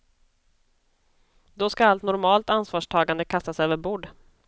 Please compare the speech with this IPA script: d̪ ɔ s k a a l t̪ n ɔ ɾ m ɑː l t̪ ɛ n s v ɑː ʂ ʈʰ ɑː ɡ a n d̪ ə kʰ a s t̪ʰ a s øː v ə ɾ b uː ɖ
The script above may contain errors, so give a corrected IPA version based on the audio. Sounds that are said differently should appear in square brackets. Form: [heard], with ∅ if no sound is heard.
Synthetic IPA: d̪ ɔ s k a a l t̪ n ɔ ɾ m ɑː l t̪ [a] n s v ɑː ʂ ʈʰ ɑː ɡ a n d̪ ə kʰ a s [t̪] a s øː v ə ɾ b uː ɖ